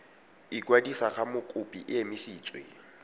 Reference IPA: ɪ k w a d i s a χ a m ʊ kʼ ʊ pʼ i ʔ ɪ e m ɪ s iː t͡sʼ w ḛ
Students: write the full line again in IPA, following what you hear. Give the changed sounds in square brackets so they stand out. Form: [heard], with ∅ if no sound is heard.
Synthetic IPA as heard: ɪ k w a d i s a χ a m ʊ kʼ ʊ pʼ i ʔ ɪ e m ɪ s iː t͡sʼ w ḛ